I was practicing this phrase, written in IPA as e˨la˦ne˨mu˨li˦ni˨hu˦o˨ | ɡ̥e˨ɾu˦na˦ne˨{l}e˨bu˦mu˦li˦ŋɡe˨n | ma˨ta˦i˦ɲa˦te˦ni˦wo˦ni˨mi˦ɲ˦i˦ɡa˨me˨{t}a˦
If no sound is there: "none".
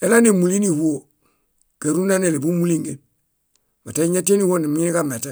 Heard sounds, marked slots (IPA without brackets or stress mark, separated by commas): l, t